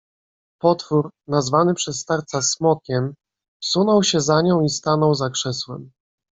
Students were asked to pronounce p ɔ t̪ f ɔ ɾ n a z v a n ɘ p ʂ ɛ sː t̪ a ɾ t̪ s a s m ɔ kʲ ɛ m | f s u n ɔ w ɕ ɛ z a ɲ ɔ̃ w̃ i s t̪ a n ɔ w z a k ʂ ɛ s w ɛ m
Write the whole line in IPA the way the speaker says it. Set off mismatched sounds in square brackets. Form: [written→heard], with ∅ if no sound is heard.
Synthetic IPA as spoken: p ɔ t̪ f [ɔ→u] ɾ n a z v a n ɘ p ʂ ɛ sː t̪ a ɾ t̪ s a s m ɔ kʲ ɛ m | f s u n ɔ w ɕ ɛ z a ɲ ɔ̃ w̃ i s t̪ a n ɔ w z a k ʂ ɛ s w ɛ m